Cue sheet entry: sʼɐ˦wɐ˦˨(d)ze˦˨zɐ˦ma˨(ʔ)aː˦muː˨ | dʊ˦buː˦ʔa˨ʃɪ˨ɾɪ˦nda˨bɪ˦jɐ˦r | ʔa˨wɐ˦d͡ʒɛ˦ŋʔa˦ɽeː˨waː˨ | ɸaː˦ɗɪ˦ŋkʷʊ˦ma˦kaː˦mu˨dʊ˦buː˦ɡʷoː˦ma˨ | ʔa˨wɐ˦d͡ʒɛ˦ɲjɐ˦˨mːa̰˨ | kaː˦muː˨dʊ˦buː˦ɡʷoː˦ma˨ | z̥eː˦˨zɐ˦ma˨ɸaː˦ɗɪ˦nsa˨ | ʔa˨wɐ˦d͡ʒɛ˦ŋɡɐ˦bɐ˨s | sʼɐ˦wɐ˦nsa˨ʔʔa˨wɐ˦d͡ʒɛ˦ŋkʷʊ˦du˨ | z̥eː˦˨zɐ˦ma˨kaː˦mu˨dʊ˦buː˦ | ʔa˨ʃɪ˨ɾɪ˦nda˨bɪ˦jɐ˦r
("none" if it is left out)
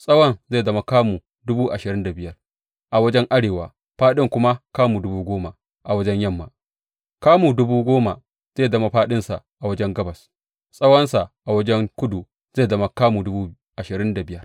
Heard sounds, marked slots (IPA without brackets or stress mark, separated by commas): n, k